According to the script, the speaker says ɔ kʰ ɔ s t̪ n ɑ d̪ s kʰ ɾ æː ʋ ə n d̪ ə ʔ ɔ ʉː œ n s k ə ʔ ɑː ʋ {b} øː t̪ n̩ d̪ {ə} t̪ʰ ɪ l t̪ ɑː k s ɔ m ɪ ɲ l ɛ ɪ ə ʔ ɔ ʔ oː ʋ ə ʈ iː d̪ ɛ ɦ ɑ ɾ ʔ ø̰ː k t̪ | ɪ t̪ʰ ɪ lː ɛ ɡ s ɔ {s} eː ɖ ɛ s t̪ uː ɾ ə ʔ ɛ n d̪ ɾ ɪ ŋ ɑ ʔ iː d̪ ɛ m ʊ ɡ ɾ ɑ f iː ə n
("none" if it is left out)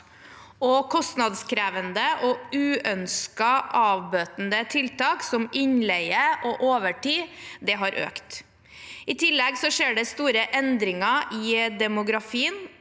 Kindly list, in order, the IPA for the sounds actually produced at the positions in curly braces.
b, ə, ʂ

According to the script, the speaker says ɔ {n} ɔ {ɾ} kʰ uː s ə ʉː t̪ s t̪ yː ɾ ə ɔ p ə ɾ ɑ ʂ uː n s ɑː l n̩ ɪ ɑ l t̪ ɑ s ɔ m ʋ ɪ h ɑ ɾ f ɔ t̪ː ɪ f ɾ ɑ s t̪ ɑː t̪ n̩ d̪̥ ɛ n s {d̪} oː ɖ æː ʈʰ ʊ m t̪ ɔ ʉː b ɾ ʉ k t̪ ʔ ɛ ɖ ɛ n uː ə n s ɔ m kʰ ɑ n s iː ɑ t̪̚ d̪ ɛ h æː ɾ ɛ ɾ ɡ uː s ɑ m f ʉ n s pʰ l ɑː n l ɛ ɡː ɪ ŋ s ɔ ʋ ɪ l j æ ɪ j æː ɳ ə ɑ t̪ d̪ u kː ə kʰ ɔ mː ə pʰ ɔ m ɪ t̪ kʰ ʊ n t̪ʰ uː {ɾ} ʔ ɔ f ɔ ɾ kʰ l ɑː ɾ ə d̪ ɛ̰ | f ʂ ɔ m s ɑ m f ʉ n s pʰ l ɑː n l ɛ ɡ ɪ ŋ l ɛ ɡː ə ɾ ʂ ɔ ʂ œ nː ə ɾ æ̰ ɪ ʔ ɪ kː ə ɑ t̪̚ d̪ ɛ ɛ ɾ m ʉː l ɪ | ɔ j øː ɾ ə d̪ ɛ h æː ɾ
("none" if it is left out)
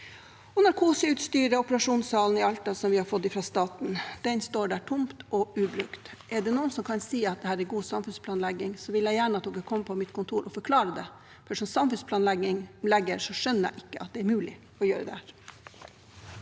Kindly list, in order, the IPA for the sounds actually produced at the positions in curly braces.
n, ɾ, t̪, ɾ

